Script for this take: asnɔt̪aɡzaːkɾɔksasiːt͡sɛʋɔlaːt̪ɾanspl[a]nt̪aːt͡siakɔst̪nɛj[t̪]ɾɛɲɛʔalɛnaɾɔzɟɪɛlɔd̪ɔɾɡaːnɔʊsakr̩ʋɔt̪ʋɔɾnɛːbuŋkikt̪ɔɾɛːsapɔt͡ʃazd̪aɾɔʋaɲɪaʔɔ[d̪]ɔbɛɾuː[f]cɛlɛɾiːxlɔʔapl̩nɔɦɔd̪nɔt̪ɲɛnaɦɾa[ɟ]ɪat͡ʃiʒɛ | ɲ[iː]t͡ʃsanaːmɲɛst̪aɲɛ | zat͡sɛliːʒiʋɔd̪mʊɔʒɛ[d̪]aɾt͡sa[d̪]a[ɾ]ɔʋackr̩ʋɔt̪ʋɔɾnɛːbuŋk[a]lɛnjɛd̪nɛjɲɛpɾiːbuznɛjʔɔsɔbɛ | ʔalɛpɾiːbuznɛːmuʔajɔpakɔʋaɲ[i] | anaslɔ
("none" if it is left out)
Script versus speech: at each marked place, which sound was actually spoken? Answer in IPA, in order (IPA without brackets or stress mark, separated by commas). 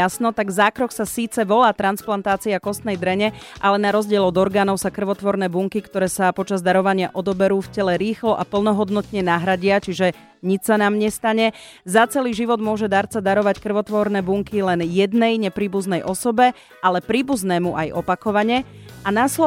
a, d̪, d̪, f, ɟ, i, d̪, d̪, ɾ, i, ɛ